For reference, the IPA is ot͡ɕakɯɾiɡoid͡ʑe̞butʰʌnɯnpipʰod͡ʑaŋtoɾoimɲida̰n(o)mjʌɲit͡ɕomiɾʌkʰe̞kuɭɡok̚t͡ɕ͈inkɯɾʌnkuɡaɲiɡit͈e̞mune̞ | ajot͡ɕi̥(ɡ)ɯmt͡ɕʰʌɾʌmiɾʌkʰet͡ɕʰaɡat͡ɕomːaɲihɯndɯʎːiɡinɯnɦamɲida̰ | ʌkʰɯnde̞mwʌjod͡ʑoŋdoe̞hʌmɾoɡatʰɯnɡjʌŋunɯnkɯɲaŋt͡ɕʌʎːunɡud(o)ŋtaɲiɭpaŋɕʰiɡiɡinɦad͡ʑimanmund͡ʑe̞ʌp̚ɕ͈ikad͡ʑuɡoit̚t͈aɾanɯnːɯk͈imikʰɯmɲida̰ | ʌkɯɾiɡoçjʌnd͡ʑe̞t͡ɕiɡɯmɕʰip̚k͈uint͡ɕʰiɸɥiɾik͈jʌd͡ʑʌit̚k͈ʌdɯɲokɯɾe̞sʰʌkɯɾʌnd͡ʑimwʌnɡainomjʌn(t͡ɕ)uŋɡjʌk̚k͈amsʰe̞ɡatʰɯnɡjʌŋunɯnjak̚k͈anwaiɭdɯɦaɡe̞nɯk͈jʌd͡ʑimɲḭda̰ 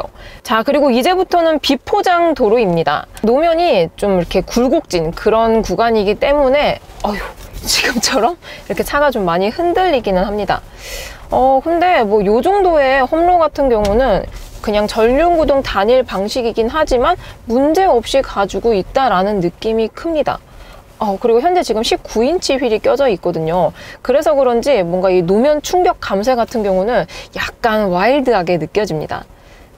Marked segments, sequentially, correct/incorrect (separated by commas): correct, correct, correct, incorrect